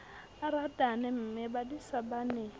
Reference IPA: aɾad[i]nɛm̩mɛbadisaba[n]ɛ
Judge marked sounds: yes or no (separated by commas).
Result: no, yes